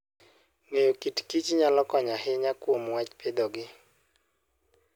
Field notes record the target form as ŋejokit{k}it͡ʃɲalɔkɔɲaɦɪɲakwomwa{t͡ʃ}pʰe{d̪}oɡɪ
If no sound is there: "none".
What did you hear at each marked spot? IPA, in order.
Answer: k, t͡ʃ, d̪

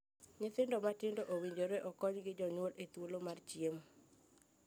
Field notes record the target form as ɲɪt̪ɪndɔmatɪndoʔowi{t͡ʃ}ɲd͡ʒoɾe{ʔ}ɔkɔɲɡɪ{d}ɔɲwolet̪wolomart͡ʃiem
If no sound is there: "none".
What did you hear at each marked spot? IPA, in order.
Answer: none, ʔ, d͡ʒ

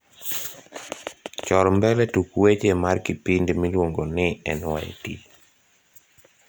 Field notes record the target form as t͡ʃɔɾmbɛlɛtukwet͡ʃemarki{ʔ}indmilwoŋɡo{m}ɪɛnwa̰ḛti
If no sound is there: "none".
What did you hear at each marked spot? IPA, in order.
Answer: p, n

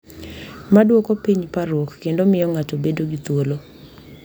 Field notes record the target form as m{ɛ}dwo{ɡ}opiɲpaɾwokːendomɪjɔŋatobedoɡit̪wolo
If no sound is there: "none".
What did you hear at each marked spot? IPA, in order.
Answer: a, k

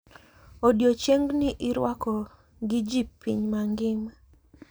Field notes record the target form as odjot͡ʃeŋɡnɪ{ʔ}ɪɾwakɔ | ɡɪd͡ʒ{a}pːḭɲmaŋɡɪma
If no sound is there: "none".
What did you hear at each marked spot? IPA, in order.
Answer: ʔ, i

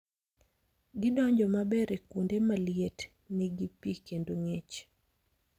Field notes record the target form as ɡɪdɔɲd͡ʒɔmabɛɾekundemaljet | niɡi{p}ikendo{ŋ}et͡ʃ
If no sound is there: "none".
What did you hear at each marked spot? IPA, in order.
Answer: p, ŋ

